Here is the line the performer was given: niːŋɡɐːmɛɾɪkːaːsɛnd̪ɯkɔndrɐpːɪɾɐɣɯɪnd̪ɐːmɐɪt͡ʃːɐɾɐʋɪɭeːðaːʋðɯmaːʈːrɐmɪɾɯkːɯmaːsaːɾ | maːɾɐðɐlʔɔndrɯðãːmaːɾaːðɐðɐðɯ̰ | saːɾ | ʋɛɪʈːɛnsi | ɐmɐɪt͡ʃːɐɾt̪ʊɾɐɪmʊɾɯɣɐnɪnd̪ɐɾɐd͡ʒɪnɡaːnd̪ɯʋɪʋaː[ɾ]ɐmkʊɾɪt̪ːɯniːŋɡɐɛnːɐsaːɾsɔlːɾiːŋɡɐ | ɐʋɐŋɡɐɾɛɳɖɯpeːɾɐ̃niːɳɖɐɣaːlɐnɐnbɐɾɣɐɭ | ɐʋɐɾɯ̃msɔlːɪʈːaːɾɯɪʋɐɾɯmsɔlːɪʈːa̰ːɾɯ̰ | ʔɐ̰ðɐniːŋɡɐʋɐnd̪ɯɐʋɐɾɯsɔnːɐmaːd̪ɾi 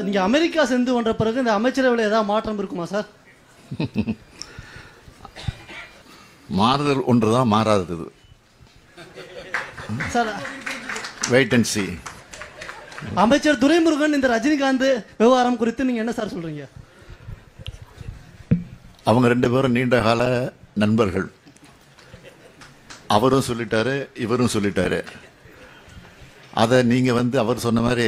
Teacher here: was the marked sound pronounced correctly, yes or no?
yes